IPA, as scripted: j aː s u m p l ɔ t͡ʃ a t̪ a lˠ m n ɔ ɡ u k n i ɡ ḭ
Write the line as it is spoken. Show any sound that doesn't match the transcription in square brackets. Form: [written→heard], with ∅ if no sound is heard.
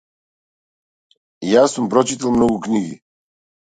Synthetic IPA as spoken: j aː s u m p [l→ɾ] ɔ t͡ʃ [a→i] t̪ a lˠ m n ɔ ɡ u k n i ɡ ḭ

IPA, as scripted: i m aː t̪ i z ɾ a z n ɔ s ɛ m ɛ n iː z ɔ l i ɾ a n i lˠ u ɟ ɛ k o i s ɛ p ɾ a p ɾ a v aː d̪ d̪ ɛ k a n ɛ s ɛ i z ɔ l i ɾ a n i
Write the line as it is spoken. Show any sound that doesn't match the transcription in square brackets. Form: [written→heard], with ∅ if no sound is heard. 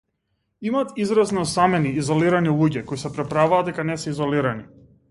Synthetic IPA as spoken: i m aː t̪ i z ɾ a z n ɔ s [ɛ→a] m ɛ n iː z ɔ l i ɾ a n i lˠ u ɟ ɛ k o i s ɛ p ɾ [a→ɛ] p ɾ a v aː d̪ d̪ ɛ k a n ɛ s ɛ i z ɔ l i ɾ a n i

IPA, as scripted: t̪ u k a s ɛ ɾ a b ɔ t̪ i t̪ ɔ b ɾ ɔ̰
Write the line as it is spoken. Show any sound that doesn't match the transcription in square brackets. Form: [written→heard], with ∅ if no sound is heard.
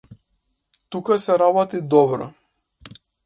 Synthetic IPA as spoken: t̪ u k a s ɛ ɾ a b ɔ t̪ i [t̪→d̪] ɔ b ɾ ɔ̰

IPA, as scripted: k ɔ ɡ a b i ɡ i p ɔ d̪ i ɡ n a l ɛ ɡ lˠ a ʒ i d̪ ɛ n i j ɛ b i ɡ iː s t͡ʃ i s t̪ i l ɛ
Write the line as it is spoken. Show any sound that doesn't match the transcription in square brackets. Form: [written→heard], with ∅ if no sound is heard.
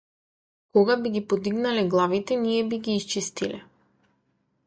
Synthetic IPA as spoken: k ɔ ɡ a b i ɡ i p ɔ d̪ i ɡ n a l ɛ ɡ lˠ a [ʒ→v] i [d̪→t̪] ɛ n i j ɛ b i ɡ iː s t͡ʃ i s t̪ i l ɛ

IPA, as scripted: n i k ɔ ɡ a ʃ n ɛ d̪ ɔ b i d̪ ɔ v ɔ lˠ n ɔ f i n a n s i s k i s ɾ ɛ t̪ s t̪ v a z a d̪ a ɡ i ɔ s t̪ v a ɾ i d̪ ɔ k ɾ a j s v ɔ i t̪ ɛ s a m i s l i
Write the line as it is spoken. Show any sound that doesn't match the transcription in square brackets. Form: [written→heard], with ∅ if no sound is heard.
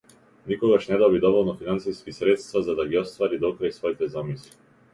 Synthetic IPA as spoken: n i k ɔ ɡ a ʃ n ɛ d̪ ɔ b i d̪ ɔ v ɔ lˠ n ɔ f i n a n s i s k i s ɾ ɛ t̪ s t̪ v a z a d̪ a ɡ i ɔ s t̪ v a ɾ i d̪ ɔ k ɾ a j s v ɔ i t̪ ɛ [s→z] a m i s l i

